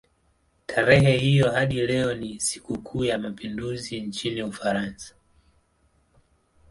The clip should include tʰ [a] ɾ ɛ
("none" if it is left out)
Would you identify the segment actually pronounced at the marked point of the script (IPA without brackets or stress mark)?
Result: a